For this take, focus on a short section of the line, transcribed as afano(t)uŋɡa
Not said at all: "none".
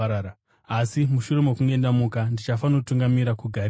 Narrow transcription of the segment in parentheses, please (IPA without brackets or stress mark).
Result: t